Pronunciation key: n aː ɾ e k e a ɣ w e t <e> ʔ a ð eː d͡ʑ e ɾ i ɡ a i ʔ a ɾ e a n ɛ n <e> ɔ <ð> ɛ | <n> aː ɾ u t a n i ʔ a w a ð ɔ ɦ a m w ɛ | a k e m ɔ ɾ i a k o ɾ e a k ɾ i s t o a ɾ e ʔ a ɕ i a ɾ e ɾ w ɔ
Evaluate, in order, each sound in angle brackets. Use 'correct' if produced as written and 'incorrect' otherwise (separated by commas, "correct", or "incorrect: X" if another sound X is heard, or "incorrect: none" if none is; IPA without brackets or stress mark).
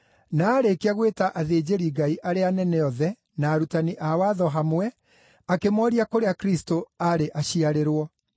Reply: incorrect: a, incorrect: ɛ, correct, correct